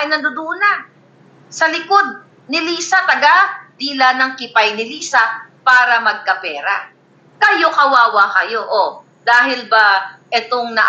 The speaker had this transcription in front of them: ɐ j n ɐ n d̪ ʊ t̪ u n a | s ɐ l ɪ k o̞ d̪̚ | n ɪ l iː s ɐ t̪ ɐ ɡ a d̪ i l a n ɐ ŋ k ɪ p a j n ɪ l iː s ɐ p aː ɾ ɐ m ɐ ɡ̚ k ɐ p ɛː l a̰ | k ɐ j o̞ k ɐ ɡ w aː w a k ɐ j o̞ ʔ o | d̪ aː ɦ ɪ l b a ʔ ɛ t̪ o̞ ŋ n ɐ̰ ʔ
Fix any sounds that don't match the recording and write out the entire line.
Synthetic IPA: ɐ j n ɐ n d̪ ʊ d̪ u n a | s ɐ l ɪ k o̞ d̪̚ | n ɪ l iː s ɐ t̪ ɐ ɡ a d̪ i l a n ɐ ŋ k ɪ p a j n ɪ l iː s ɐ p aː ɾ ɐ m ɐ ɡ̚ k ɐ p ɛː ɾ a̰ | k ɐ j o̞ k ɐ w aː w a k ɐ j o̞ ʔ o | d̪ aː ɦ ɪ l b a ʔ ɛ t̪ o̞ ŋ n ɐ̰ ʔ